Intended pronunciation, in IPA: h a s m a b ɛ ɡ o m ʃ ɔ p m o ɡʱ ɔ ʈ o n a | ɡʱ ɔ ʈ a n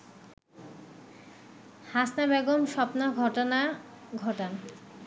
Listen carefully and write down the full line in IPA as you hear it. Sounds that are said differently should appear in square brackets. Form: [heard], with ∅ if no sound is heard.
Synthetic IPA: h a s [n] a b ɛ ɡ o m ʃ ɔ p [n] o ɡʱ ɔ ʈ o n a | ɡʱ ɔ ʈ a n